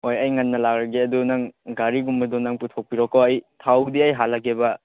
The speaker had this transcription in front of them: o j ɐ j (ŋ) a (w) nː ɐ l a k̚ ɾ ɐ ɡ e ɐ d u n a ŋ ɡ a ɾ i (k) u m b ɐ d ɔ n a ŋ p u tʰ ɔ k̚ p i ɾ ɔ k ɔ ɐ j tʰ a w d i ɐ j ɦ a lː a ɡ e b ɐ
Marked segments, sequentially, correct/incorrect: correct, incorrect, incorrect

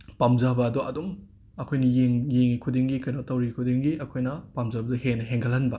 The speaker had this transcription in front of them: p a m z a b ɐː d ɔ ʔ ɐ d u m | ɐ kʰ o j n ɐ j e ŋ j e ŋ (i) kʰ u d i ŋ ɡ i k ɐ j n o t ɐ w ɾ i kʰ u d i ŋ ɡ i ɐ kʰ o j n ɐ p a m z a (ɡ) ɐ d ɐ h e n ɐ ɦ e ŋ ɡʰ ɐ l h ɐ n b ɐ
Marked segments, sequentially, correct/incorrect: correct, incorrect

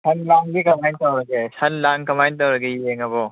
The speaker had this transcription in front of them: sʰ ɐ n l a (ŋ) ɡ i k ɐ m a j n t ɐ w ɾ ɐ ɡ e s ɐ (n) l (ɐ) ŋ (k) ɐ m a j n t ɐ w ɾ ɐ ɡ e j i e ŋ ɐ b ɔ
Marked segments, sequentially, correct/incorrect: correct, correct, incorrect, correct

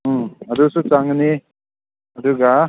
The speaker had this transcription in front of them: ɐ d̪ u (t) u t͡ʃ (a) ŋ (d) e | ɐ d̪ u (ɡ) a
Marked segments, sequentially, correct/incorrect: incorrect, correct, incorrect, correct

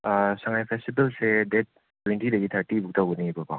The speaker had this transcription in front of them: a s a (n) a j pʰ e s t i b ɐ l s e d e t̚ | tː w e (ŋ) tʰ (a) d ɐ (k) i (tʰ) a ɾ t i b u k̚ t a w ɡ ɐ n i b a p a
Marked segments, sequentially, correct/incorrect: incorrect, incorrect, incorrect, incorrect, correct

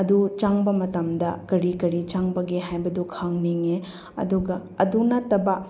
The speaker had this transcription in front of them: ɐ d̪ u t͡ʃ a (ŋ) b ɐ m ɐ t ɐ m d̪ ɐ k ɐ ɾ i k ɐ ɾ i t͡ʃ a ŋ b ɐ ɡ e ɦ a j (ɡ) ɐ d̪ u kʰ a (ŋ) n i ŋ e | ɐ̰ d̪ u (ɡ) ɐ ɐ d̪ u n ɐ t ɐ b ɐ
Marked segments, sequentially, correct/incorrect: correct, incorrect, correct, correct

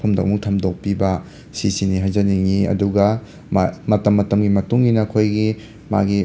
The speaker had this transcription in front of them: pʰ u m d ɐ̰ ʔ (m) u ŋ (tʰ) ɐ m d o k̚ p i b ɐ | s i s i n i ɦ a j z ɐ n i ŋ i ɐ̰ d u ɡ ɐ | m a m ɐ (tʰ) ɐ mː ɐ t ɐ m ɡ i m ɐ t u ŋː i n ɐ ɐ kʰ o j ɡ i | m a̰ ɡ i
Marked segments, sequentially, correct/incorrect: correct, correct, incorrect

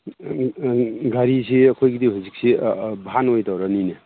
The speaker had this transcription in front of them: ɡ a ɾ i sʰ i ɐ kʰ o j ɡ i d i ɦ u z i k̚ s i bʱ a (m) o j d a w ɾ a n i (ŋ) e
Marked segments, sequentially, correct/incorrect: incorrect, incorrect

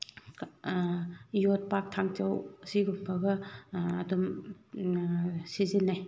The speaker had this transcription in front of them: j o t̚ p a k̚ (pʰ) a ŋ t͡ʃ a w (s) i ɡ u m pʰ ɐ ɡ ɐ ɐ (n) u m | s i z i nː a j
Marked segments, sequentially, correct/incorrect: incorrect, correct, incorrect

